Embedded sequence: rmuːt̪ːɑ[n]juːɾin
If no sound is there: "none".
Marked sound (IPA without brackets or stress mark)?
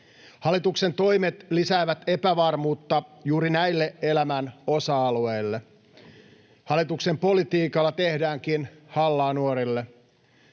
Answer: none